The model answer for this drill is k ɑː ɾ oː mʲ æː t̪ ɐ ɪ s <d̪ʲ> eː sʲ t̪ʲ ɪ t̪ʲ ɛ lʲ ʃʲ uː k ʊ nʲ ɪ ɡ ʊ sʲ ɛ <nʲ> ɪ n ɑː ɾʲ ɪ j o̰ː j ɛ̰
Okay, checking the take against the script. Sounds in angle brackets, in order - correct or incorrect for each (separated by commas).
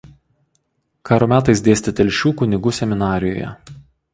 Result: correct, incorrect